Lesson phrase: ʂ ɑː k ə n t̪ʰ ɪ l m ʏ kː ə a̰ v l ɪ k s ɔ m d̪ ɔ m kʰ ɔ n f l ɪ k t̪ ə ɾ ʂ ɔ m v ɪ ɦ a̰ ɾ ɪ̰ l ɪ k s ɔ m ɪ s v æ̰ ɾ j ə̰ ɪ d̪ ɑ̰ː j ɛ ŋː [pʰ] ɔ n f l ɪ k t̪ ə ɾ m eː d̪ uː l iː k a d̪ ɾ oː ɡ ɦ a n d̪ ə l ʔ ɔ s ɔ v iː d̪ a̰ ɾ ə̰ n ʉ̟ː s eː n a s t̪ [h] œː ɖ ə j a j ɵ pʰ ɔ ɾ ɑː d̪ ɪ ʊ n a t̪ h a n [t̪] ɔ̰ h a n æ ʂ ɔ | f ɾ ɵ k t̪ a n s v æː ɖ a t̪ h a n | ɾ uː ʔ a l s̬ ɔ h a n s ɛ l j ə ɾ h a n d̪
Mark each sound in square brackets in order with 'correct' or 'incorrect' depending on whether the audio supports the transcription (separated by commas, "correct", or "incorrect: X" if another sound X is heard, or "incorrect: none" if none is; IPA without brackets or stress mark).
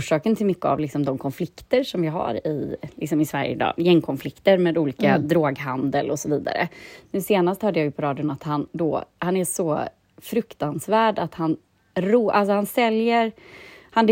incorrect: kʰ, correct, incorrect: d̪